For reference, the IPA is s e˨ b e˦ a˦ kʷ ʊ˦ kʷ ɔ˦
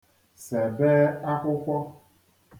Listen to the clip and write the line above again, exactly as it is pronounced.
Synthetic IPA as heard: s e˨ b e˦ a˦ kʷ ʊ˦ kʷ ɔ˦